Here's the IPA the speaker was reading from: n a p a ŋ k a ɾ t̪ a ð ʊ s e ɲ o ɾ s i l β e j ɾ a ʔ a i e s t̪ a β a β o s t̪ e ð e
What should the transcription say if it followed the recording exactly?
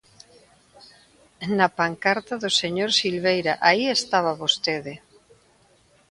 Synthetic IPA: n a p a ŋ k a ɾ t̪ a ð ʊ s e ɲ o ɾ s i l β e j ɾ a ʔ a i e s t̪ a β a β o s t̪ e ð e